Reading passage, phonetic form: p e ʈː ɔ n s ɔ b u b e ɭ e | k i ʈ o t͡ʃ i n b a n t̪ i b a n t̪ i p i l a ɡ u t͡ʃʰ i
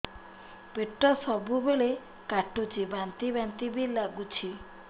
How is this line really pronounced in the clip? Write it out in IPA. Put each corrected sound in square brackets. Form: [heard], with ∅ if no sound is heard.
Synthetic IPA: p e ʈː ɔ [∅] s ɔ b u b e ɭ e | k [a] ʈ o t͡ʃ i [∅] b a n t̪ i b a n t̪ i [b] i l a ɡ u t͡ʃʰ i

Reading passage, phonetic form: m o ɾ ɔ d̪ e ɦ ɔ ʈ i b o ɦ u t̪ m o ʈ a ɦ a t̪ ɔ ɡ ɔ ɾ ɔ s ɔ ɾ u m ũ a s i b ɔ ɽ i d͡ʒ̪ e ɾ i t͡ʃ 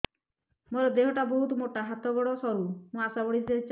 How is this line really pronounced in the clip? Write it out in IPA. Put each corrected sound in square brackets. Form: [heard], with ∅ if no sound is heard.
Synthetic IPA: m o ɾ ɔ d̪ e ɦ ɔ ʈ [a] b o ɦ u t̪ m o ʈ a ɦ a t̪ ɔ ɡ ɔ [ɽ] ɔ s ɔ ɾ u m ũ a s [a] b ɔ ɽ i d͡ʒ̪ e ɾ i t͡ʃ

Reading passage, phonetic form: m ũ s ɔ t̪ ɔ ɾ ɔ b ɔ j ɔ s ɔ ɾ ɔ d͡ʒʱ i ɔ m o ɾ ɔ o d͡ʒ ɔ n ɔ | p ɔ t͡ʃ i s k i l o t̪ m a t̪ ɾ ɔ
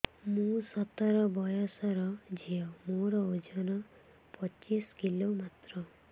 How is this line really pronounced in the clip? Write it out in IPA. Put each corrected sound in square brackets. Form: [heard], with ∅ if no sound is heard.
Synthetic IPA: m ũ s ɔ t̪ ɔ ɾ ɔ b ɔ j ɔ s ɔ ɾ ɔ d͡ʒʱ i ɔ m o ɾ ɔ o d͡ʒ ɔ n ɔ | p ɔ t͡ʃ i s k i l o [∅] m a t̪ ɾ ɔ

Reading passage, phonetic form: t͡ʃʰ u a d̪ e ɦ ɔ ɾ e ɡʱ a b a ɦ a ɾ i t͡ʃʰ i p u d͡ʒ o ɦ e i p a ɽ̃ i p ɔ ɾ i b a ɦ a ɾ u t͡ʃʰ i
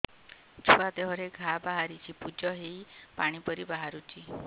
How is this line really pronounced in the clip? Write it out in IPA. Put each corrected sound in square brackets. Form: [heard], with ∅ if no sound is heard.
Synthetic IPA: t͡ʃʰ u a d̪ e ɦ ɔ ɾ e ɡʱ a b a ɦ a ɾ i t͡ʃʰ i p u d͡ʒ [ɔ] ɦ e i p a ɽ̃ i p ɔ ɾ i b a ɦ a ɾ u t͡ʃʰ i

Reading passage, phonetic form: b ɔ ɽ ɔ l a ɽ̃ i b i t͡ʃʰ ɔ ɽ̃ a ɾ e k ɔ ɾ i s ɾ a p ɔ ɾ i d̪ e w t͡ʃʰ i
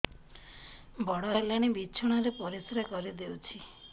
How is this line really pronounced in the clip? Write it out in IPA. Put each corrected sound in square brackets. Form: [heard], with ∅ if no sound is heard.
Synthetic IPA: b ɔ ɽ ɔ l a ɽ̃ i b i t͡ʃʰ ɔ ɽ̃ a ɾ e [p] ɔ ɾ i s ɾ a [k] ɔ ɾ i d̪ e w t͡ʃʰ i

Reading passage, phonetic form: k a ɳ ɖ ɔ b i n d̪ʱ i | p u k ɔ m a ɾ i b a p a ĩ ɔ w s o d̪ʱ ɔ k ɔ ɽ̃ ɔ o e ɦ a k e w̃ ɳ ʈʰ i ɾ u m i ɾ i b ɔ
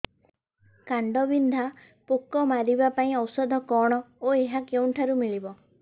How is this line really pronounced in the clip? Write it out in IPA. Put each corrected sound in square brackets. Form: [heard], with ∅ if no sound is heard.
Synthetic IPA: k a ɳ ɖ ɔ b i n d̪ʱ [a] | p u k ɔ m a ɾ i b a p a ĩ ɔ w s [ɔ] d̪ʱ ɔ k ɔ ɽ̃ ɔ o e ɦ a k e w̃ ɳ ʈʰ [a] ɾ u m i [ɭ] i b ɔ

